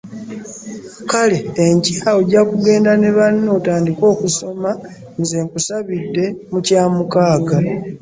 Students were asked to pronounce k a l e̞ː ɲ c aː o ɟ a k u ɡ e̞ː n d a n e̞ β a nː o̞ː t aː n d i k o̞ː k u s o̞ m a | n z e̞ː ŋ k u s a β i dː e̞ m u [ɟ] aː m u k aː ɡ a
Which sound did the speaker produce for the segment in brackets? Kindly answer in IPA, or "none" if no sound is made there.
c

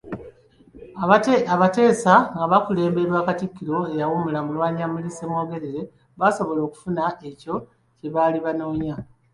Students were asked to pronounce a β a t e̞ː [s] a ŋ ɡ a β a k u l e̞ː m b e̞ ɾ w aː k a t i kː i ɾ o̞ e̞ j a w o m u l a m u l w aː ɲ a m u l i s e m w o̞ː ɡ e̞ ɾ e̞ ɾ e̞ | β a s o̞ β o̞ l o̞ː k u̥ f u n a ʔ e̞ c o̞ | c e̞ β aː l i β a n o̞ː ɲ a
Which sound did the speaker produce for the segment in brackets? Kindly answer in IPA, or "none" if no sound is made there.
s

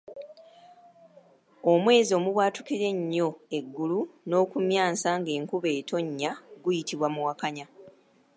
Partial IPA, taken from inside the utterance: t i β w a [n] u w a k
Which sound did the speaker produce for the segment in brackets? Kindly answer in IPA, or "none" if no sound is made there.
m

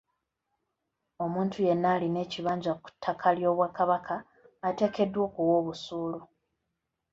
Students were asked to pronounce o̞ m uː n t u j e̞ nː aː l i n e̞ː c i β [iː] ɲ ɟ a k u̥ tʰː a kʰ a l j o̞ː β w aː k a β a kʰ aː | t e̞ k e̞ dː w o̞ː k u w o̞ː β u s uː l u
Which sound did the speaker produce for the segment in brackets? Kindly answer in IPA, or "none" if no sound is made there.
aː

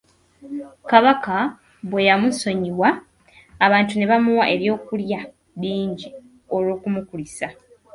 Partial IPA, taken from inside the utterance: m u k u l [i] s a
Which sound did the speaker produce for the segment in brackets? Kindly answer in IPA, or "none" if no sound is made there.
i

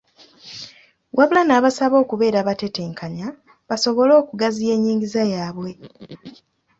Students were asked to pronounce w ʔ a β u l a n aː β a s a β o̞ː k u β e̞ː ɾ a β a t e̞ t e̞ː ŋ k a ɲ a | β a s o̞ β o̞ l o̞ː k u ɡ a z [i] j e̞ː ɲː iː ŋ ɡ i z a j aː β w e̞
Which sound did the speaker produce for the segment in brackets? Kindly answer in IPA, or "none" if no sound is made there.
i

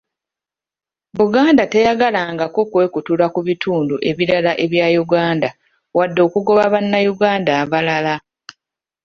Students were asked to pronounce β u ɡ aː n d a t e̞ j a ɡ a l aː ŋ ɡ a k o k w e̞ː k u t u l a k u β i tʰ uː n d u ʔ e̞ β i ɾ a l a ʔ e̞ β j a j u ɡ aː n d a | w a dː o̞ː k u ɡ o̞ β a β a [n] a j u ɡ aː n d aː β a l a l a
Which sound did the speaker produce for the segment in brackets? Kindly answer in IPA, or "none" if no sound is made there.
nː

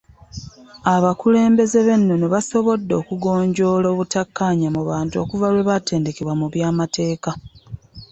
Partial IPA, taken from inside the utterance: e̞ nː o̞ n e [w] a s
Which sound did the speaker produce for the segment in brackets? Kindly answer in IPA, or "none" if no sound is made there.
β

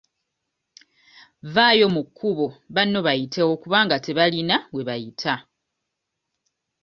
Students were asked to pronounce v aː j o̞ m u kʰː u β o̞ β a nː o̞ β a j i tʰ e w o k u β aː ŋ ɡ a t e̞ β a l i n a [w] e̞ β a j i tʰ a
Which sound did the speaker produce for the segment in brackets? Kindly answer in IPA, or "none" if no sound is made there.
w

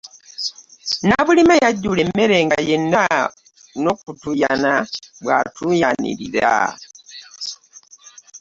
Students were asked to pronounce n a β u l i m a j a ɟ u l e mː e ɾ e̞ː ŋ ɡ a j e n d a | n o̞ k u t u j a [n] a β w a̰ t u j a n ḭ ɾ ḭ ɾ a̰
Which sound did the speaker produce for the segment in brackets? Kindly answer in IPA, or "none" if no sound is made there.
n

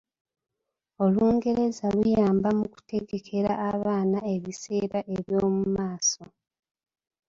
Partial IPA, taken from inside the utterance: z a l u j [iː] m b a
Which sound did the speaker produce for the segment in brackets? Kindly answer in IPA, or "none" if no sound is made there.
aː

